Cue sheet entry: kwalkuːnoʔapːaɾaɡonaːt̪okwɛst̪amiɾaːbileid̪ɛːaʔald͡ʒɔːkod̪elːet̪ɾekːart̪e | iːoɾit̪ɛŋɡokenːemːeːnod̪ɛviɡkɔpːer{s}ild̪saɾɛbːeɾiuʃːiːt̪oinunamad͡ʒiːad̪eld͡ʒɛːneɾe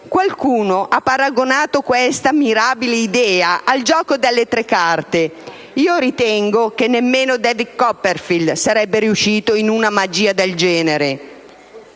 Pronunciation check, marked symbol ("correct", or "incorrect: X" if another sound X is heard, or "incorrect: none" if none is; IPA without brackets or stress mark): incorrect: f